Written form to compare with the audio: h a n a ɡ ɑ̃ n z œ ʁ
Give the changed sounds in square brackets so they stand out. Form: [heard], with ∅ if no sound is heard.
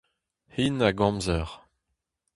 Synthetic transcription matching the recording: h [i] n a ɡ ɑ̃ [m] z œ ʁ